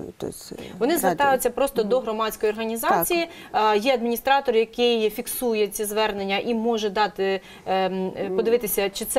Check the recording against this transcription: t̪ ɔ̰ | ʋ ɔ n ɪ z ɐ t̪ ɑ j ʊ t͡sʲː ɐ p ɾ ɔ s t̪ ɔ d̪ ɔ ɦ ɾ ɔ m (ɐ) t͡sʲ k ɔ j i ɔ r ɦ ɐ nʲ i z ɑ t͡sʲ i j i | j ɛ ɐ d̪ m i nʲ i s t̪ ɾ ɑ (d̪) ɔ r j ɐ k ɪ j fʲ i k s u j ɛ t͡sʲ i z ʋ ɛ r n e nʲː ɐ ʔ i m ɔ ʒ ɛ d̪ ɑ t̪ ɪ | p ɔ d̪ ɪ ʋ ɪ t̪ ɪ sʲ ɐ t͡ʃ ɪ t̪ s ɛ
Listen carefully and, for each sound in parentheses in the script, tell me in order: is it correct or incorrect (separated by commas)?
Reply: incorrect, incorrect